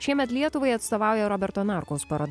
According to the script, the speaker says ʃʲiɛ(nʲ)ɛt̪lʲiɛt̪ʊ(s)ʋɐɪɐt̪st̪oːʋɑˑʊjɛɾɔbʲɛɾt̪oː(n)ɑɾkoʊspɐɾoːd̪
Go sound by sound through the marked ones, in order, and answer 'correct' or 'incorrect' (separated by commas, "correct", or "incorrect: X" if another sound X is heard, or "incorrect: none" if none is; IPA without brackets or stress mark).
incorrect: mʲ, incorrect: none, correct